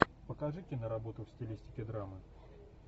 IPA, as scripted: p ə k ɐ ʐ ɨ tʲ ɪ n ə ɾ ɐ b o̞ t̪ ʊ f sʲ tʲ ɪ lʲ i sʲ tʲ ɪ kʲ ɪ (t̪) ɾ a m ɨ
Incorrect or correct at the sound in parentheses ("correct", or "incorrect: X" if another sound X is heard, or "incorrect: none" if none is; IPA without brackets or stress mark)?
incorrect: d̪